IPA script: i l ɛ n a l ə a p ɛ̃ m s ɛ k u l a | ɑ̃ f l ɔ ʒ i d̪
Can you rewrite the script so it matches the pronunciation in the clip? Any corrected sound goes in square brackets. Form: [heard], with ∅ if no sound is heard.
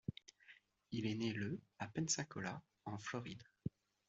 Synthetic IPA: i l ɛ n [e] l ə a p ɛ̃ [n] s [ɛ̃] k [ɔ] l a | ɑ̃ f l ɔ [ʁ] i d̪